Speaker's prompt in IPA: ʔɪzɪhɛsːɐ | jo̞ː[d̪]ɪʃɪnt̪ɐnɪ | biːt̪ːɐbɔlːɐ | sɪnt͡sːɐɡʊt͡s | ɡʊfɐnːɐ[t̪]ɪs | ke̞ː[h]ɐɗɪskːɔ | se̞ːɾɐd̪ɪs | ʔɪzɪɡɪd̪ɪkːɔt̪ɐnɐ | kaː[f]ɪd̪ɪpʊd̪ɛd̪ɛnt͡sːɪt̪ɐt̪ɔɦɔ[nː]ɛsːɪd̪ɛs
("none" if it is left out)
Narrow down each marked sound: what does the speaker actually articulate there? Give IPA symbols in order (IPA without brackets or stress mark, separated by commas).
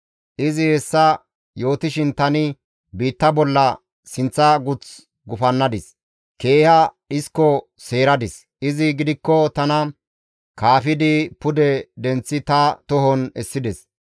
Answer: t̪, d̪, h, f, n